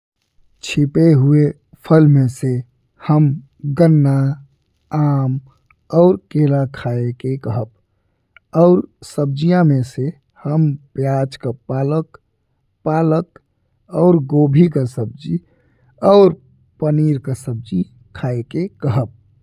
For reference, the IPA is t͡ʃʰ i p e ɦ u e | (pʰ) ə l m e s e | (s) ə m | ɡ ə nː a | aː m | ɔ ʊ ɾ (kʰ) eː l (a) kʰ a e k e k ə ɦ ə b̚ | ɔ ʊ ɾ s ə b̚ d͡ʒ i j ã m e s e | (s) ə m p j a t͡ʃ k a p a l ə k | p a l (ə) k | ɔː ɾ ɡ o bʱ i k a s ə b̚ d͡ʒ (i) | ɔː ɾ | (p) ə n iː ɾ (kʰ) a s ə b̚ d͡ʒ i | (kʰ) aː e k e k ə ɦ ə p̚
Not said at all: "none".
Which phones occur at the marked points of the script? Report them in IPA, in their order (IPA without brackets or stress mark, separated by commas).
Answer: pʰ, h, k, a, h, ə, i, p, k, kʰ